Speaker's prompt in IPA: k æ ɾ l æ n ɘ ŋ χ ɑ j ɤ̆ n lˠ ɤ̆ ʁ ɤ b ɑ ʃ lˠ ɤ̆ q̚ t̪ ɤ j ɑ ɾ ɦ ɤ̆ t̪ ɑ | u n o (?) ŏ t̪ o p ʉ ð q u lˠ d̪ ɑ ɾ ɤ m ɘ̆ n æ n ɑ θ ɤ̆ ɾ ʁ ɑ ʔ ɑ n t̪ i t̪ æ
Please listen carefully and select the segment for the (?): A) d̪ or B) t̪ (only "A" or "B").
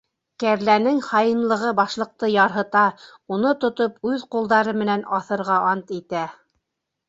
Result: B